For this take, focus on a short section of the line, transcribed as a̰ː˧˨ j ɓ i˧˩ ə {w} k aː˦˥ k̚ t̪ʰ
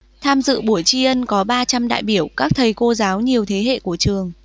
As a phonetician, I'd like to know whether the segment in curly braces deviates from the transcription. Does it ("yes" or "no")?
no